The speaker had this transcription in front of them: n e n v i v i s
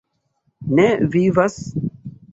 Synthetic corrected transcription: n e v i v a s